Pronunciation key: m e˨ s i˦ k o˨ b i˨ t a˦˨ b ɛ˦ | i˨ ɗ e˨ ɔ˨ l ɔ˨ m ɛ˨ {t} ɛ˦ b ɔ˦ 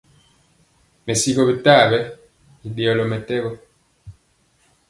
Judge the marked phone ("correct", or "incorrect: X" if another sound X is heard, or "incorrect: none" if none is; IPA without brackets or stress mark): correct